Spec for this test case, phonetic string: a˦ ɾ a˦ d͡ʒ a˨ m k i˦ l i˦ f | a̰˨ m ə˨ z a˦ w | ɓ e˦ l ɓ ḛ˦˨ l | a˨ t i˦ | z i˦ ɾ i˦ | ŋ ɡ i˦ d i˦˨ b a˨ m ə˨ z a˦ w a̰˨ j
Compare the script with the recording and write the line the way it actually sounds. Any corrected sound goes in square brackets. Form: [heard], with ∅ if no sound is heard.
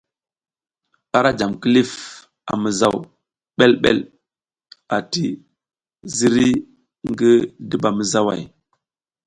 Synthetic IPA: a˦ ɾ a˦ d͡ʒ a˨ m k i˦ l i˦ f | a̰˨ m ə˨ z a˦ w | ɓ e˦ l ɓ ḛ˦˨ l | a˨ t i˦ | z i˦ ɾ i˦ | ŋ ɡ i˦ d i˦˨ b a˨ m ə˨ z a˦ w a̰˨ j